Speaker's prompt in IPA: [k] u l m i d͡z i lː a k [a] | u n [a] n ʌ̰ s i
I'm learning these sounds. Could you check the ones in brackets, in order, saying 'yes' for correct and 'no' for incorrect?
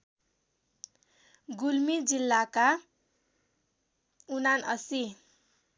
no, yes, yes

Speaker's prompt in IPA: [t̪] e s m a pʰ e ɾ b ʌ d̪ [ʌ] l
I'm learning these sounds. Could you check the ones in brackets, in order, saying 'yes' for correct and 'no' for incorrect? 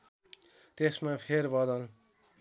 yes, yes

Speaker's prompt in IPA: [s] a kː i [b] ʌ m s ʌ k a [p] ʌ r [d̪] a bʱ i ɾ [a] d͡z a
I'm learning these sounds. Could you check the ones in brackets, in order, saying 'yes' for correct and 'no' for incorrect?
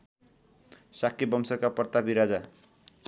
yes, yes, yes, no, yes

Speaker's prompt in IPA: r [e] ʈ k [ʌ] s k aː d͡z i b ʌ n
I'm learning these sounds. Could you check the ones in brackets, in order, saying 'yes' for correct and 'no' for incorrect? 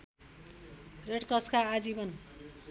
yes, yes

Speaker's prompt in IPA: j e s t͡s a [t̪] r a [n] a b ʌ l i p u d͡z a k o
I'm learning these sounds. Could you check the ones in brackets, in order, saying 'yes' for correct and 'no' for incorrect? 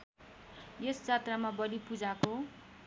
yes, no

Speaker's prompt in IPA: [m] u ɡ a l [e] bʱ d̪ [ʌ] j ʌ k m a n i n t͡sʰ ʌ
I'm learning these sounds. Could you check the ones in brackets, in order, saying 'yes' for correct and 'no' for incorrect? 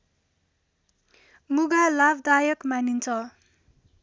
yes, no, no

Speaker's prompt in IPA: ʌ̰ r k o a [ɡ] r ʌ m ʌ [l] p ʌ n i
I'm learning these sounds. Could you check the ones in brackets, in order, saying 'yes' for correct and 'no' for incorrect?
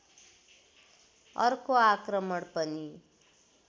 no, no

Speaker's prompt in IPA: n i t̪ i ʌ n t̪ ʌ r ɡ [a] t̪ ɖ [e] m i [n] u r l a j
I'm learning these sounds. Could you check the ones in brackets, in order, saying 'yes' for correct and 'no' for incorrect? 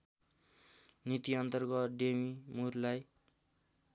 no, yes, no

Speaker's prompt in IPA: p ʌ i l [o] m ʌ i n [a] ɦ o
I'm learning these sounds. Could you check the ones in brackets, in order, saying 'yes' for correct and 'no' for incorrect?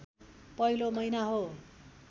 yes, yes

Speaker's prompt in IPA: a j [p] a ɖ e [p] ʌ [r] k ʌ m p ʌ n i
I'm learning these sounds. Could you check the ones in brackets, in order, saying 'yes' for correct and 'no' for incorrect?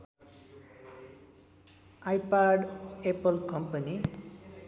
yes, yes, no

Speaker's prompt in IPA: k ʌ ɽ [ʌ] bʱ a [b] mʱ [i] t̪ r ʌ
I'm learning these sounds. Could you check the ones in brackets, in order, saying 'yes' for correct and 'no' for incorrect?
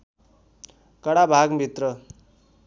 no, no, yes

